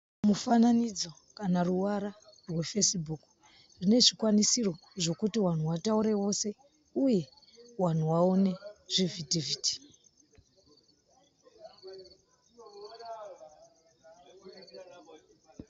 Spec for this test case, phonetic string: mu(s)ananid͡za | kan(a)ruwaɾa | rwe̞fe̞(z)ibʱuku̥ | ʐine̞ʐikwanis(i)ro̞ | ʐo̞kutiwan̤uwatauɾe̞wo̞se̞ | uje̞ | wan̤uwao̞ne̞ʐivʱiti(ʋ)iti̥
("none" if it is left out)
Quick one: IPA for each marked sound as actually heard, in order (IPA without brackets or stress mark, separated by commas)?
f, a, s, i, v